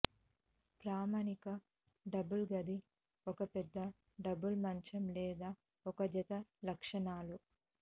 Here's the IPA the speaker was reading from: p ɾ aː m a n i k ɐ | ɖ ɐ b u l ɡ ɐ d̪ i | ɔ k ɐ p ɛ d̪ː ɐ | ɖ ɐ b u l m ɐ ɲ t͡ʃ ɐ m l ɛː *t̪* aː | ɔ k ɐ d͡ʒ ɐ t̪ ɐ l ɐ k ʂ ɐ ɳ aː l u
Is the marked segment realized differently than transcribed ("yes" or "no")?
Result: yes